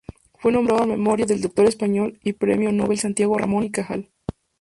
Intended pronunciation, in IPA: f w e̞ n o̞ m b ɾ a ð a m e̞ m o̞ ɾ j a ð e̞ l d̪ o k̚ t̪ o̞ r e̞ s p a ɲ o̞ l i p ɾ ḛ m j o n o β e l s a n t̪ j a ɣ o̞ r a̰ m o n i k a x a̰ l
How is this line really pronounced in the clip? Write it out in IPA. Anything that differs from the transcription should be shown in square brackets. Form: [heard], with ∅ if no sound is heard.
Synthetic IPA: f w e̞ n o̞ m b ɾ a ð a m e̞ m o̞ ɾ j a ð e̞ l d̪ o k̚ t̪ o̞ [ɾ] e̞ s p a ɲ o̞ l i p ɾ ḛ m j o n o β e l s a n t̪ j a ɣ o̞ r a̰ m o n i k a x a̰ l